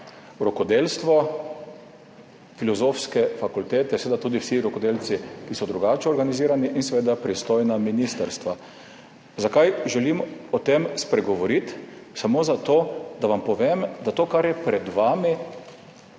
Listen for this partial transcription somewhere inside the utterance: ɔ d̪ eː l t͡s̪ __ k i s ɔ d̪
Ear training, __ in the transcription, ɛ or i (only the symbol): i